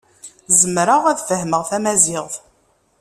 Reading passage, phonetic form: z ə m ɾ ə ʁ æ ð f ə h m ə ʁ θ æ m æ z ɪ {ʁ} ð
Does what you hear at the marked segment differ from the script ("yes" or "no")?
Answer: no